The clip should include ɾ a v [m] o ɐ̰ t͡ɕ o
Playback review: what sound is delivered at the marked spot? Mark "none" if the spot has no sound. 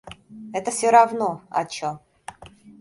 n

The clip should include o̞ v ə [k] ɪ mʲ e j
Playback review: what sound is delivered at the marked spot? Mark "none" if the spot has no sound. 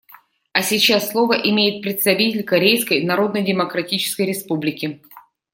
ʔ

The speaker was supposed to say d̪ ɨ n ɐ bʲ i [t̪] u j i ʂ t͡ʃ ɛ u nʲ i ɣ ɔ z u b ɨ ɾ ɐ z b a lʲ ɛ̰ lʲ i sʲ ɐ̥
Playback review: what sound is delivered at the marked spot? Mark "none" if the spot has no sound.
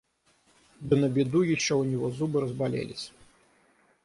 d̪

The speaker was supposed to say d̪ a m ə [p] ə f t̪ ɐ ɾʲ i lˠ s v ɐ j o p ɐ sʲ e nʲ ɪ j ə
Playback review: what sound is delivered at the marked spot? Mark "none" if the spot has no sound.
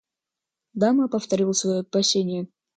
p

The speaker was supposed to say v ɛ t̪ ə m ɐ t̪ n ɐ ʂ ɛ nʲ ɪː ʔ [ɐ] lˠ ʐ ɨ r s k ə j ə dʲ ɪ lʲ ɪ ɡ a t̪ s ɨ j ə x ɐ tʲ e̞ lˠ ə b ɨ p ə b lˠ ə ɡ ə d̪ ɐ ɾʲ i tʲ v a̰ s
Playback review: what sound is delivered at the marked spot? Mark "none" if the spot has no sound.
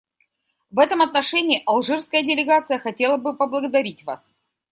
ɐ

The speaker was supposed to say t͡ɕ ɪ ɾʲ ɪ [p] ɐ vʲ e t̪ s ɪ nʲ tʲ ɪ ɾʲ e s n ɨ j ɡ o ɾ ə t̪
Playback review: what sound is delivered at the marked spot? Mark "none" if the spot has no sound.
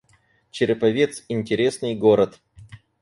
p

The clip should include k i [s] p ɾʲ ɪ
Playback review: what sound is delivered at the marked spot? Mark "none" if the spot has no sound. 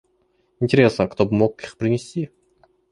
x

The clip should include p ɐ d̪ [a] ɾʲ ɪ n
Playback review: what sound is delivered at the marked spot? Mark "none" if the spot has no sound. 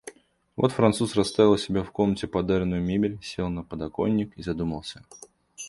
a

